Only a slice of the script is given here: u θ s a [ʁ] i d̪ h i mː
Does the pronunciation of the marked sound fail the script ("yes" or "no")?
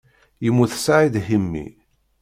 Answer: yes